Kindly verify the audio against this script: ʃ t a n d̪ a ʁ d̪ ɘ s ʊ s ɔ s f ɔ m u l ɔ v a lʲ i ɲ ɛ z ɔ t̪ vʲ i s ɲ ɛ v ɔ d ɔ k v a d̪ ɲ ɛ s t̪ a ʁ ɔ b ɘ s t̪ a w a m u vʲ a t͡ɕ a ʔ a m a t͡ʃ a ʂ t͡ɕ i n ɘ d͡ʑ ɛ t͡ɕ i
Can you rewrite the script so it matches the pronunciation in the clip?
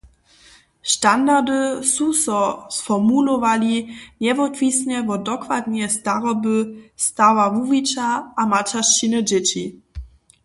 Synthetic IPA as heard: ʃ t a n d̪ a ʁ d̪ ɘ s u s ɔ s f ɔ m u l ɔ v a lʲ i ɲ ɛ v ɔ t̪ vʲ i s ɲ ɛ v ɔ d ɔ k v a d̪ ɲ ɛ s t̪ a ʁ ɔ b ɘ s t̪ a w a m u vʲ i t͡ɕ a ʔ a m a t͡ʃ a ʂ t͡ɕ i n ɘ d͡ʑ ɛ t͡ɕ i